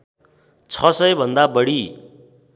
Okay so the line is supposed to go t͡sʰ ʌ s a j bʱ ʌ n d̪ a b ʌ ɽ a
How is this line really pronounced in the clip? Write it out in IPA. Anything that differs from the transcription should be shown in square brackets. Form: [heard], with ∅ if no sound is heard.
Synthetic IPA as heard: t͡sʰ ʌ s [ʌ] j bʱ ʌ n d̪ a b ʌ ɽ [i]